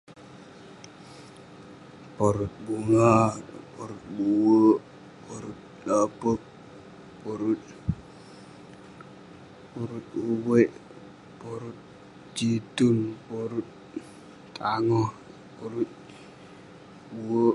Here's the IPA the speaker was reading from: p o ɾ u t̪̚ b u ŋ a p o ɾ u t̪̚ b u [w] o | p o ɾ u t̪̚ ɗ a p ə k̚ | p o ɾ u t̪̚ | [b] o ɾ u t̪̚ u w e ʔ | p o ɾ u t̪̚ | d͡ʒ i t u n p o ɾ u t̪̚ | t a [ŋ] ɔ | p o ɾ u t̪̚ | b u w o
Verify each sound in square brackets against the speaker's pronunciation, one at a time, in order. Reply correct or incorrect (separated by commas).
correct, incorrect, correct